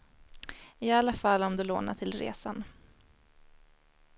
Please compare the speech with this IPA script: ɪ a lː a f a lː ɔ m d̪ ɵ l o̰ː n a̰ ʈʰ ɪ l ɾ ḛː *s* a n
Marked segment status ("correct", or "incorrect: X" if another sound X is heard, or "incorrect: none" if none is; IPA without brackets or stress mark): correct